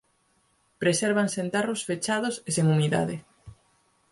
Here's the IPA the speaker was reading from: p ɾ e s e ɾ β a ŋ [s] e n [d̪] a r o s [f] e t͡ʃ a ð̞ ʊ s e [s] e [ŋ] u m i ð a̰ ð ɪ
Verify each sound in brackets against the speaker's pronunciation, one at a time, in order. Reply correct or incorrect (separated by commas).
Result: correct, incorrect, correct, correct, correct